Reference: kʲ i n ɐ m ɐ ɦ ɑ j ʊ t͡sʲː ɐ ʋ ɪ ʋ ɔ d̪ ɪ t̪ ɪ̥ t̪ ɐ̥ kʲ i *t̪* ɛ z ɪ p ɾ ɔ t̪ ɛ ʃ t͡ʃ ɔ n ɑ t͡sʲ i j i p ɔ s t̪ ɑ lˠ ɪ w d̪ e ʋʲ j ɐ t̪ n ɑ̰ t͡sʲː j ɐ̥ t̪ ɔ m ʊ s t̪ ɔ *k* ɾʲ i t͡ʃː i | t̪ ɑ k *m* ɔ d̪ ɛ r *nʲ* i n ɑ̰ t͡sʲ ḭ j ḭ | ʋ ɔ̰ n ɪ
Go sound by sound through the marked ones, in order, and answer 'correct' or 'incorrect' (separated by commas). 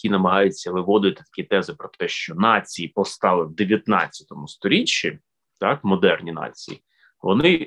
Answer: correct, incorrect, correct, correct